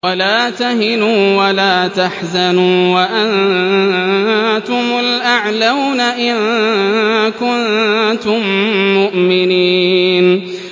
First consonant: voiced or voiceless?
voiced